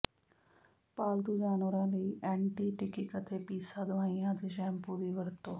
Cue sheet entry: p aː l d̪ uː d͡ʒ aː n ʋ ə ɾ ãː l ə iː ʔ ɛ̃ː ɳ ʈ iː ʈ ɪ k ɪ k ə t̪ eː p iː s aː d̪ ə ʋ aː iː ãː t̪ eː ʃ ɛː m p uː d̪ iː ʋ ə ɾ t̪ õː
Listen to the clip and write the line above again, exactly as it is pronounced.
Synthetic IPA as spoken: p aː l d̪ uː d͡ʒ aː n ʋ ə ɾ ãː l ə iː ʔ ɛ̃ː ɳ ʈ iː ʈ ɪ k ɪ k ə t̪ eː p iː s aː d̪ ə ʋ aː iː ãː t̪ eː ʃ ɛː m p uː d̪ iː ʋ ə ɾ t̪ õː